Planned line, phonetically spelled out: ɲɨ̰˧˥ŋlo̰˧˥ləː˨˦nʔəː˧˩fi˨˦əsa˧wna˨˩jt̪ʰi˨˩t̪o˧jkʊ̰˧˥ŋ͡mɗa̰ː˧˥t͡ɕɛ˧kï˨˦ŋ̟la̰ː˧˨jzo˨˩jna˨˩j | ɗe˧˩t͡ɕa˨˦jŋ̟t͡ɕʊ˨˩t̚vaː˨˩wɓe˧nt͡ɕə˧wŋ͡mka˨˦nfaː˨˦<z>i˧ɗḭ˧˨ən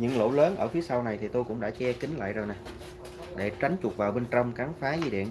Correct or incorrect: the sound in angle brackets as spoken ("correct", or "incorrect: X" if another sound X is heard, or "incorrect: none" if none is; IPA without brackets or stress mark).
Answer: correct